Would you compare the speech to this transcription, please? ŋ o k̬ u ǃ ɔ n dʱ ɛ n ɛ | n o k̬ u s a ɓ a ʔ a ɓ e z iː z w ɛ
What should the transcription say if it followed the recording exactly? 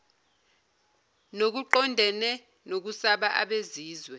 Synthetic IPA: n o k̬ u ǃ ɔ n dʱ ɛ n ɛ | n o k̬ u s a ɓ a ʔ a ɓ e z iː z w ɛ